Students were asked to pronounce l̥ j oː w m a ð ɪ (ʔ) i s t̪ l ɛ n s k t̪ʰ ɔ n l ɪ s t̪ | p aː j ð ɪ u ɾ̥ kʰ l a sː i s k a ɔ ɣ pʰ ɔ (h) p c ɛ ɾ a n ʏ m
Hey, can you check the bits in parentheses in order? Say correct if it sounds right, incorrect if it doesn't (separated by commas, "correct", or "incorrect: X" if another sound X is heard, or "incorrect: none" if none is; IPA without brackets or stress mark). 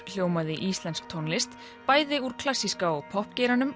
correct, correct